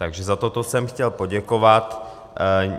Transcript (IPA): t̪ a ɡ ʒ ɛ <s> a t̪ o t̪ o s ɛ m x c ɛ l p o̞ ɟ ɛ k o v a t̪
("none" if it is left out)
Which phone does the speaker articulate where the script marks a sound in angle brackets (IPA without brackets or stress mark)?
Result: z